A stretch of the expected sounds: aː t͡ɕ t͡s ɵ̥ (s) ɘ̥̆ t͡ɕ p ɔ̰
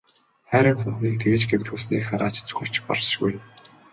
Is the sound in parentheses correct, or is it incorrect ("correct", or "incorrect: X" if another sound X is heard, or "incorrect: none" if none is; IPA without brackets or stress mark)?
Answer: incorrect: x